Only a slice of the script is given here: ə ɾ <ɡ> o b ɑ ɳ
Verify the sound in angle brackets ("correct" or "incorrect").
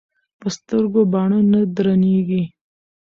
correct